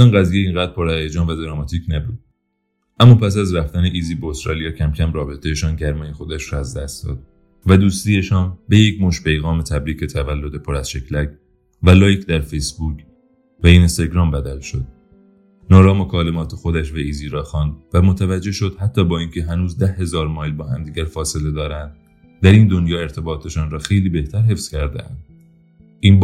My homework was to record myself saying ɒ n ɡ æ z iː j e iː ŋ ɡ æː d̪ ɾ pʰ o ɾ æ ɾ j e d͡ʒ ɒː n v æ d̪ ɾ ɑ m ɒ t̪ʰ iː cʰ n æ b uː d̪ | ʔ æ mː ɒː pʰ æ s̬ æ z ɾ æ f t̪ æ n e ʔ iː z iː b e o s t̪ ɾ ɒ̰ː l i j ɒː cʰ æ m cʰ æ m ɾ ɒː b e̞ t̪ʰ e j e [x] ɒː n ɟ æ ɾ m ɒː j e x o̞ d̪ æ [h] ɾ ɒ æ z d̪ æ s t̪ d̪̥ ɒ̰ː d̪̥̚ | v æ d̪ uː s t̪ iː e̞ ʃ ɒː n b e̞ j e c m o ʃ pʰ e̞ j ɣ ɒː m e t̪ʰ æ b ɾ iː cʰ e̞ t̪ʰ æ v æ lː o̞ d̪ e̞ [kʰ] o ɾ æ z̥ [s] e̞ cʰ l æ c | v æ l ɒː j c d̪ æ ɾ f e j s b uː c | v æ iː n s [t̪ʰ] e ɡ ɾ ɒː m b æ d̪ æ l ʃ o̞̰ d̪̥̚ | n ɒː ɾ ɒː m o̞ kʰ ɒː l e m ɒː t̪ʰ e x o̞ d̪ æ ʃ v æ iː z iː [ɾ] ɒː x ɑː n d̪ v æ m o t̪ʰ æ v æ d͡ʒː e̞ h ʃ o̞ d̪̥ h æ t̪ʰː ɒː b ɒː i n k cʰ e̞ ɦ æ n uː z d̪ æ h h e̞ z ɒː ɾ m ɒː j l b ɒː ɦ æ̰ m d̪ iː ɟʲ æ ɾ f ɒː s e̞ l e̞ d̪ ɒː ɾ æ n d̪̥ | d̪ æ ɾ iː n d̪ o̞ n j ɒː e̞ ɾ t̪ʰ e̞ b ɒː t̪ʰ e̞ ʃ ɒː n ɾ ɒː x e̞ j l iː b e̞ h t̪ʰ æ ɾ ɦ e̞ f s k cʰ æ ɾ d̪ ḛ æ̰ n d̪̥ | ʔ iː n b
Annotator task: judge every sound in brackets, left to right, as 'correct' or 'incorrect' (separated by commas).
incorrect, incorrect, incorrect, incorrect, incorrect, correct